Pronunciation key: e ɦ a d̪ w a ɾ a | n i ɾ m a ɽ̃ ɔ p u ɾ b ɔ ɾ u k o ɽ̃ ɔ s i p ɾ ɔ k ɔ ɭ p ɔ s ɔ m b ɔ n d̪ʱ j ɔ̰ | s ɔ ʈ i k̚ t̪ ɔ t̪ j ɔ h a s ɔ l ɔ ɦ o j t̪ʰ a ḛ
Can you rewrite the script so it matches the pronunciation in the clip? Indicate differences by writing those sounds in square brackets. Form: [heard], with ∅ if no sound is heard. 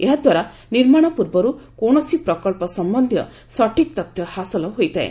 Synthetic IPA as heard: e ɦ a d̪ w a ɾ a | n i ɾ m a ɽ̃ ɔ p u ɾ b ɔ ɾ u k o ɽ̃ ɔ s i p ɾ ɔ k ɔ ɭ p ɔ s ɔ m b ɔ n d̪ʱ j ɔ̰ | s ɔ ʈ i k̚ t̪ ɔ t̪ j ɔ h a s ɔ l ɔ ɦ o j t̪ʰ a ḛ